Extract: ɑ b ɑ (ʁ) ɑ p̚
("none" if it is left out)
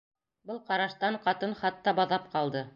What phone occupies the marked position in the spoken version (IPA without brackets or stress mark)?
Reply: ð